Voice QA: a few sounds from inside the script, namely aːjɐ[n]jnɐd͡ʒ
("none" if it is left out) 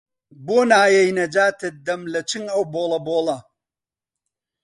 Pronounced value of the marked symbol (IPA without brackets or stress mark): none